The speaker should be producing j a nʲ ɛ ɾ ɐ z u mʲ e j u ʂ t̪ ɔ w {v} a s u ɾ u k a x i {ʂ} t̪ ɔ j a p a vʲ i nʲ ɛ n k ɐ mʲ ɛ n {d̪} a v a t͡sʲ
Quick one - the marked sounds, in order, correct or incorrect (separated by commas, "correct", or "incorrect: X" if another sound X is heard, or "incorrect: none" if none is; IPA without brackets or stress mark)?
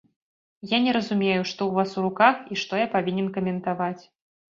correct, correct, incorrect: t̪